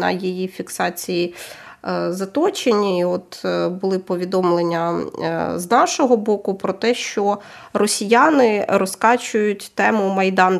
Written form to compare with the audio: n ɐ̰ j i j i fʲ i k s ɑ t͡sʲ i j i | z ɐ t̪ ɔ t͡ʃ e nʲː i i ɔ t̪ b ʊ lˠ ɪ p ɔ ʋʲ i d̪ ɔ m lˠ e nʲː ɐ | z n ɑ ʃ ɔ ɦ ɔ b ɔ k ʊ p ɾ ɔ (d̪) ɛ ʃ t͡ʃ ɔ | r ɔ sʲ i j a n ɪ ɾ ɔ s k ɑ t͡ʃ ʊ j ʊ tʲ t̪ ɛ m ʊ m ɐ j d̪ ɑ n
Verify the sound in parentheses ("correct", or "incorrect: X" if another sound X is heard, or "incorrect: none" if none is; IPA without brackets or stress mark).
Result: incorrect: t̪